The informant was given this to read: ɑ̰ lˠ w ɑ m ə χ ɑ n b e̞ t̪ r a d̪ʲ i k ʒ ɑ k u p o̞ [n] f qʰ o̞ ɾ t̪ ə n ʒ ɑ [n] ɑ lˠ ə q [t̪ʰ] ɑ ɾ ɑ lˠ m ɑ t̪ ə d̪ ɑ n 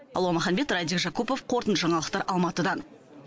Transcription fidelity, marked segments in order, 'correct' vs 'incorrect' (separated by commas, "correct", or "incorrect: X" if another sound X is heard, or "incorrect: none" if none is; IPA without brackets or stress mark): incorrect: none, incorrect: ɴ, incorrect: t̪